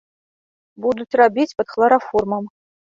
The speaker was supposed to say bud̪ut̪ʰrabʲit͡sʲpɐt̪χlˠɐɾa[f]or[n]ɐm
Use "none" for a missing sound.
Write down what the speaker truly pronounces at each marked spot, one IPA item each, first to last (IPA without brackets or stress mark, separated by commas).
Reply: f, m